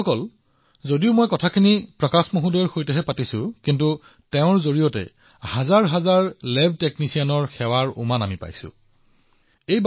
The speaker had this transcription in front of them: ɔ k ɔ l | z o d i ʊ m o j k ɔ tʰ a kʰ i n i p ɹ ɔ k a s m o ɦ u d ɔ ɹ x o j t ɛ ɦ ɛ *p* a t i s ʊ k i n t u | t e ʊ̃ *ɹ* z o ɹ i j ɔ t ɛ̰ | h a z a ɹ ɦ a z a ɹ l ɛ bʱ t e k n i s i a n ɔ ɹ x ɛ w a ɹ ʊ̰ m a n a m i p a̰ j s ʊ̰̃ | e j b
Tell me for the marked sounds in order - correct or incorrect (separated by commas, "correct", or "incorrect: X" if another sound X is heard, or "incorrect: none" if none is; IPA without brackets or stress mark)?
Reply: correct, correct